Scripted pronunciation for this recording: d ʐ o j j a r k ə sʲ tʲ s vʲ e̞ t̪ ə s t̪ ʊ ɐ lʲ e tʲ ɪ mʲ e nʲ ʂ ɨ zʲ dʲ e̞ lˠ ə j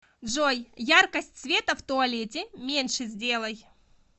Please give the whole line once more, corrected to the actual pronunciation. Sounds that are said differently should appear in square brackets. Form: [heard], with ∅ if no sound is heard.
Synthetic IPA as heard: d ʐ o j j a r k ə sʲ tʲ s vʲ e̞ t̪ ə [f] t̪ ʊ ɐ lʲ e tʲ ɪ mʲ e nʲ ʂ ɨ zʲ dʲ e̞ lˠ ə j